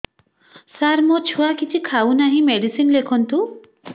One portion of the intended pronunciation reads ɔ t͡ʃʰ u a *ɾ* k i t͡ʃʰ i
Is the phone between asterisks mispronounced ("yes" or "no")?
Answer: yes